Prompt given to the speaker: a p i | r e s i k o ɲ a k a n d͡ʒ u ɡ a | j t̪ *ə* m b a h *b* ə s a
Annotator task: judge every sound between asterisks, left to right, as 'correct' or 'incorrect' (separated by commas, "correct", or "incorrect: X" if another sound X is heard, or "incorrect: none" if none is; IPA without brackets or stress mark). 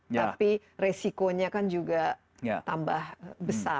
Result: incorrect: a, correct